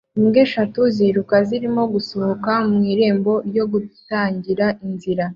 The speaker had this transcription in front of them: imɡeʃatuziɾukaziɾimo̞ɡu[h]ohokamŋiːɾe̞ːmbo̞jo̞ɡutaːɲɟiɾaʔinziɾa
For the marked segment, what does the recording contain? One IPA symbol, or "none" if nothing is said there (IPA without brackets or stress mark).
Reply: s